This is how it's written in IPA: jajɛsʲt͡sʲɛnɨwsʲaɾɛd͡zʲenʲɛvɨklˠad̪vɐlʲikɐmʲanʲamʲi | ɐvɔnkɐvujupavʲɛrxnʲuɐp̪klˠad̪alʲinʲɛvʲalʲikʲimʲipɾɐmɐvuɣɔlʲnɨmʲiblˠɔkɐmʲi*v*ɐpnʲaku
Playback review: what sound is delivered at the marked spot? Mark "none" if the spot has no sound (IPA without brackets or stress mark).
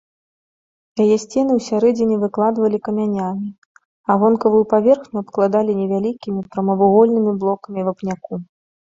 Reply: v